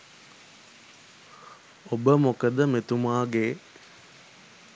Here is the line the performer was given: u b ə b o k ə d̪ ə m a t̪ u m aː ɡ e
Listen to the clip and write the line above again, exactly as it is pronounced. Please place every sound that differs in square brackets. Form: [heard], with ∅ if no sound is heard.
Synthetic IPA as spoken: [o] b ə [m] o k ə d̪ ə m [e] t̪ u m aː ɡ e